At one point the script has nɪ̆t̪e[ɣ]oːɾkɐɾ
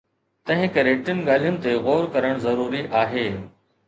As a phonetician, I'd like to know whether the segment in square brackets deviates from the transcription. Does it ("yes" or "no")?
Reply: no